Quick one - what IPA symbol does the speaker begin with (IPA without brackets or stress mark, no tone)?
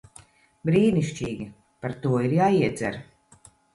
b